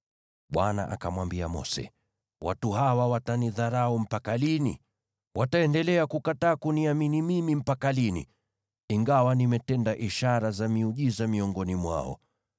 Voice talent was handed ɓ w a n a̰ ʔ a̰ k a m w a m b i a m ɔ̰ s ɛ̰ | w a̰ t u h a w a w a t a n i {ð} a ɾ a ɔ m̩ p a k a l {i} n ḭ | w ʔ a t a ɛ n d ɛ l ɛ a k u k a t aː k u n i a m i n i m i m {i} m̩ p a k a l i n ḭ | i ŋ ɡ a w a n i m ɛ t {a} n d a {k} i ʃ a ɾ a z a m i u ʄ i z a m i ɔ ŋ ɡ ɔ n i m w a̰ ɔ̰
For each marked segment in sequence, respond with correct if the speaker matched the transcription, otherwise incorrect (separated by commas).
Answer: correct, correct, correct, incorrect, incorrect